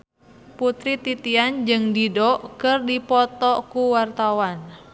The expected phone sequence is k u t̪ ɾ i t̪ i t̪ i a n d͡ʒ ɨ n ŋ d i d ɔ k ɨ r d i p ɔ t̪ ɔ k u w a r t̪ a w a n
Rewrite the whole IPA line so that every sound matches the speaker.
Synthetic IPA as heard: p u t̪ ɾ i t̪ i t̪ i a n d͡ʒ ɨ ŋ d i d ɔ k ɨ r d i p ɔ t̪ ɔ k u w a r t̪ a w a n

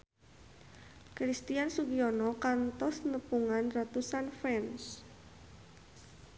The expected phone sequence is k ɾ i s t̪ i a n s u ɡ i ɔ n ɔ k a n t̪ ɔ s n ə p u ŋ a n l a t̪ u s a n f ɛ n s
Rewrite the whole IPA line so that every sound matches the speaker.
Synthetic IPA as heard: k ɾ i s t̪ i a n s u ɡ i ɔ n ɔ k a n t̪ ɔ s n ə p u ŋ a n r a t̪ u s a n f ɛ n s

